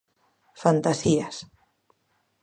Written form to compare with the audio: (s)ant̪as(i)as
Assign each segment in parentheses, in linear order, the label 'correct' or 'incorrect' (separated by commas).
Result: incorrect, correct